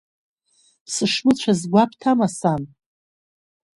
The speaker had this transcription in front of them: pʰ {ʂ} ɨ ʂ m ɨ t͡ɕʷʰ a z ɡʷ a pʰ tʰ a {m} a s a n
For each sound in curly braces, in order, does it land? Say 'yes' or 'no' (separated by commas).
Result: no, yes